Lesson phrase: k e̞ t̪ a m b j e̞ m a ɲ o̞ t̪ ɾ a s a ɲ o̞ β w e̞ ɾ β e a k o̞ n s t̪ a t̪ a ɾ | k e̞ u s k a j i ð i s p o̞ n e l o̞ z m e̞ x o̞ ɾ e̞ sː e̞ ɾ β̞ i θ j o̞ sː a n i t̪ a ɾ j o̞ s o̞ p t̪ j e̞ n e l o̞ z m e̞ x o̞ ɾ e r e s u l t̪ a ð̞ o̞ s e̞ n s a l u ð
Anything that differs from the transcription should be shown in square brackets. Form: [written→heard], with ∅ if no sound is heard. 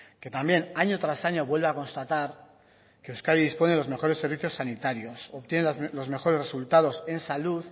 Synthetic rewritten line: k e̞ t̪ a m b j e̞ [m→n] a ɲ o̞ t̪ ɾ a s a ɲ o̞ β w e̞ [ɾ→l] β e a k o̞ n s t̪ a t̪ a ɾ | k e̞ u s k a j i ð i s p o̞ n e l o̞ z m e̞ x o̞ ɾ e̞ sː e̞ ɾ β̞ i θ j o̞ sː a n i t̪ a ɾ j o̞ s o̞ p t̪ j e̞ n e l o̞ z m e̞ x o̞ ɾ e r e s u l t̪ a ð̞ o̞ s e̞ n s a l u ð